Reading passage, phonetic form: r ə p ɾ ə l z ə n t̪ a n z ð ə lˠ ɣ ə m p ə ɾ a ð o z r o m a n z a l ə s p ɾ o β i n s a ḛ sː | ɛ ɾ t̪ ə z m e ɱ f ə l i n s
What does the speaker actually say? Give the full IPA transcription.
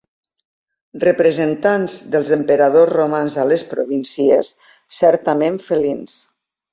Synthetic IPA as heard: r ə p ɾ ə z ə n t̪ a n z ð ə lˠ z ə m p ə ɾ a ð o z r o m a n z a l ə s p ɾ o β i n s i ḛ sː | ɛ ɾ t̪ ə m e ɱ f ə l i n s